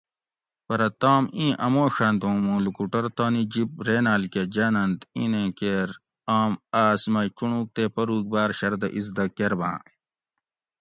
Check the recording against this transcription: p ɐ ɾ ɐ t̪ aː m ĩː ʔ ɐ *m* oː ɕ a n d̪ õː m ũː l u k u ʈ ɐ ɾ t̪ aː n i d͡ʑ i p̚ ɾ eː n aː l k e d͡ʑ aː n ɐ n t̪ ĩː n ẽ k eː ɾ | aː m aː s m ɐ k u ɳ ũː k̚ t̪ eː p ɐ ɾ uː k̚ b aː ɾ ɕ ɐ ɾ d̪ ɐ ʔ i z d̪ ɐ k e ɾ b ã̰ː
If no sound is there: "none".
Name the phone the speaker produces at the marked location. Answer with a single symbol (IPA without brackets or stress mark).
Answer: m